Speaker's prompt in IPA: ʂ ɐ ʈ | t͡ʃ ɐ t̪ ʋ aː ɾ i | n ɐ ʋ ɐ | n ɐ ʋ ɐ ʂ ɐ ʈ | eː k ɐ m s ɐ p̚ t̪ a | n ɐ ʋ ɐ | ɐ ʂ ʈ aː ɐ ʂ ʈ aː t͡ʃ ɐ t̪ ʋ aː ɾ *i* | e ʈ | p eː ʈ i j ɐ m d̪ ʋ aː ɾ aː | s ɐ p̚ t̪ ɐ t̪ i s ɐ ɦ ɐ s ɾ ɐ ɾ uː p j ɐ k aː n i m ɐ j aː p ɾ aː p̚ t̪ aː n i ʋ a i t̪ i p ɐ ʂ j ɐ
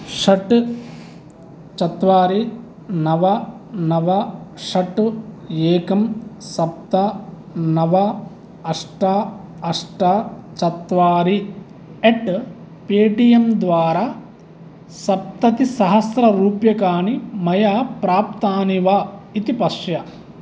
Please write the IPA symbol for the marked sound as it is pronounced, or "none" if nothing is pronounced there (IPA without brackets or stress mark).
i